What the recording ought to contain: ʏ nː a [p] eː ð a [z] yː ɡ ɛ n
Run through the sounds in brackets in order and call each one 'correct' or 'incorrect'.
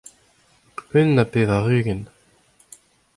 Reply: correct, incorrect: ʁ

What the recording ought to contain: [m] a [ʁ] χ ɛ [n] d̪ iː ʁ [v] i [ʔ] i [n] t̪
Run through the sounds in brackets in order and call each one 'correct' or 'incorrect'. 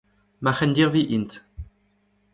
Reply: correct, incorrect: none, correct, correct, correct, correct

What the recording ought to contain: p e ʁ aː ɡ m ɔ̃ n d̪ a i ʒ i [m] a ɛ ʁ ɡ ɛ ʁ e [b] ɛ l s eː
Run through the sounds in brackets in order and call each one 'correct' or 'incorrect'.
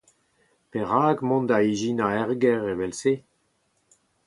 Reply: incorrect: n, incorrect: v

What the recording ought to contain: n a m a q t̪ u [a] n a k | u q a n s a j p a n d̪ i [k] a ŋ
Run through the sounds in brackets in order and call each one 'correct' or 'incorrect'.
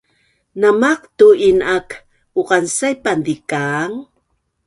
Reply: incorrect: i, correct

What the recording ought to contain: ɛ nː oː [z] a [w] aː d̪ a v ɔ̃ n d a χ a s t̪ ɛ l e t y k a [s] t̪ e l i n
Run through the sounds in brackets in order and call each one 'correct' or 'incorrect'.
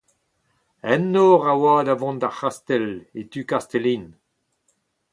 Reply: incorrect: ʁ, correct, correct

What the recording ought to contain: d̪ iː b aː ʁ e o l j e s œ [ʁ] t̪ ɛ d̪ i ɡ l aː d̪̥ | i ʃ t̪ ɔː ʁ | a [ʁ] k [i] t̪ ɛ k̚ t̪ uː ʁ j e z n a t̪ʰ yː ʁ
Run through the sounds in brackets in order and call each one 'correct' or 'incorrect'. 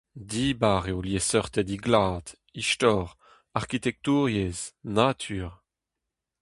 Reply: correct, correct, correct

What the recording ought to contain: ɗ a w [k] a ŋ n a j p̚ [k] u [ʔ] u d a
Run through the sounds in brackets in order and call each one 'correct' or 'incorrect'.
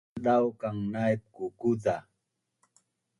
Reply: correct, correct, incorrect: k

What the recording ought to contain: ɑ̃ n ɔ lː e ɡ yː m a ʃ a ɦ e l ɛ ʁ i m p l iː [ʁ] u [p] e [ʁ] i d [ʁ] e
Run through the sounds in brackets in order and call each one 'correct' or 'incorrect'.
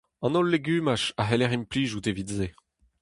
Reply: incorrect: ʒ, incorrect: t, incorrect: v, incorrect: z

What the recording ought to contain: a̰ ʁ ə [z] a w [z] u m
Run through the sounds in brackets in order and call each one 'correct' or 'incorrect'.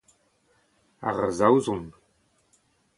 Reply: correct, correct

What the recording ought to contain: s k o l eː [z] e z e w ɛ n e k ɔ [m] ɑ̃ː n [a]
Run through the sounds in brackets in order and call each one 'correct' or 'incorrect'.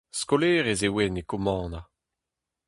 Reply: incorrect: ʁ, correct, correct

